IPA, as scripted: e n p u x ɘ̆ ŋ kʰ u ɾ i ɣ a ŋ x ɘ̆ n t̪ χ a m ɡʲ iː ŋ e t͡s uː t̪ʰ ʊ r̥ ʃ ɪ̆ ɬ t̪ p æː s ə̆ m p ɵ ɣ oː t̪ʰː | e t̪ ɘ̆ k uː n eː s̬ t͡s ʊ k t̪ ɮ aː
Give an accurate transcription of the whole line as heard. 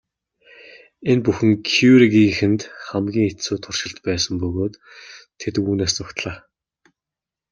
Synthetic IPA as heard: e n p u x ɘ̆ ŋ kʰ u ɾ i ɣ i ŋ x ɘ̆ n t̪ χ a m ɡʲ iː ŋ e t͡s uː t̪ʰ ʊ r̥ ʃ ɪ̆ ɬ t̪ p æː s ə̆ m p ɵ ɣ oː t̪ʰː | e t̪ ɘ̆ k uː n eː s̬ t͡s ʊ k t̪ ɮ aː